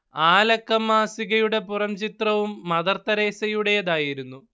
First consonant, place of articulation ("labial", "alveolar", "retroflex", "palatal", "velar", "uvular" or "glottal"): alveolar